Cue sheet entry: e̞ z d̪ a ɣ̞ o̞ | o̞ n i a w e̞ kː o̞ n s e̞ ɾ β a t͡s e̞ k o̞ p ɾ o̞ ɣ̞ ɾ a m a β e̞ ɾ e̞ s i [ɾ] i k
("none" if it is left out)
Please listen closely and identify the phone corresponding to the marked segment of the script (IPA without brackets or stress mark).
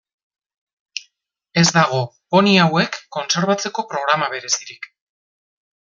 ɾ